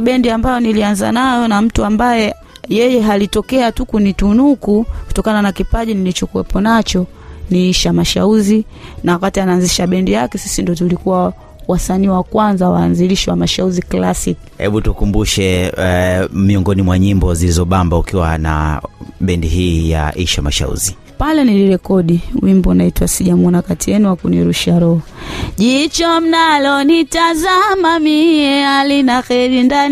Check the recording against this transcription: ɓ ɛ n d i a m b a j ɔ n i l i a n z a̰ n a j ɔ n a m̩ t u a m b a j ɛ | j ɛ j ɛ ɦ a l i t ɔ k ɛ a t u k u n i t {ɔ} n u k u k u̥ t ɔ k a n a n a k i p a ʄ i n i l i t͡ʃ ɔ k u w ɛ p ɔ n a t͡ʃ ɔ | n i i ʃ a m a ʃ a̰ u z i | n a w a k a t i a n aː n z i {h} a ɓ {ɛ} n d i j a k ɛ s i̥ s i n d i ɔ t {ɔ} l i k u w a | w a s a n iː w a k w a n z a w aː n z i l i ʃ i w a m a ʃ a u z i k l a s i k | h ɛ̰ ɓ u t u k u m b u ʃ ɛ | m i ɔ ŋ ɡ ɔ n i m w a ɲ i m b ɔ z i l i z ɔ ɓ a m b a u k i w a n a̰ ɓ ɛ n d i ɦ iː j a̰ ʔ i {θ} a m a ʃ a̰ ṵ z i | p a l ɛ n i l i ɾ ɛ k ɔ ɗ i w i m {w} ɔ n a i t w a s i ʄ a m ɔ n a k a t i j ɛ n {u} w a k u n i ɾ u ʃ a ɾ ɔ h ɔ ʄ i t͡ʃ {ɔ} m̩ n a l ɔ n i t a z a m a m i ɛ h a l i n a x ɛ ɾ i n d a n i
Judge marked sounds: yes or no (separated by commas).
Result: no, no, yes, no, no, no, yes, yes